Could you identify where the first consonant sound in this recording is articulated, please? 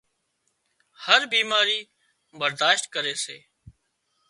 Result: glottal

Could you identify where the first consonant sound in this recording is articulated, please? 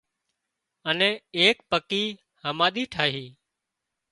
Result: alveolar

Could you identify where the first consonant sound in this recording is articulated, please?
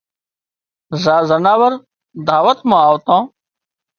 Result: alveolar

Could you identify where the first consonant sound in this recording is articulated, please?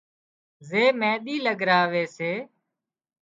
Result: alveolar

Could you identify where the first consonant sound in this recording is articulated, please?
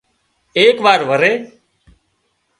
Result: velar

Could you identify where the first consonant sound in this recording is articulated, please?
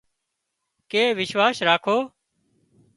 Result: velar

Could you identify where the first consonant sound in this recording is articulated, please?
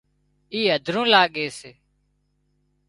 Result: glottal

